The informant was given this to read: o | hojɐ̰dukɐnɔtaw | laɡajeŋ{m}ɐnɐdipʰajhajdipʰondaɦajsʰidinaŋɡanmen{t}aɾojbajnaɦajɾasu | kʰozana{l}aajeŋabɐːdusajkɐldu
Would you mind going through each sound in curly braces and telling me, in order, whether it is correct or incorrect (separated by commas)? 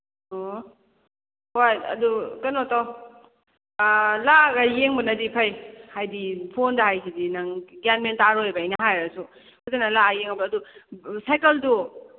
incorrect, correct, correct